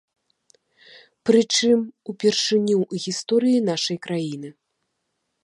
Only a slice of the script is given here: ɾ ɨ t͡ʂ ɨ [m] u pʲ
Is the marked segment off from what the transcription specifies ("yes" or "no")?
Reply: no